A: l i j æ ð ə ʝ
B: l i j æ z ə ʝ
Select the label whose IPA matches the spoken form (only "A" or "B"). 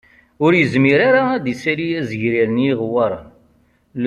B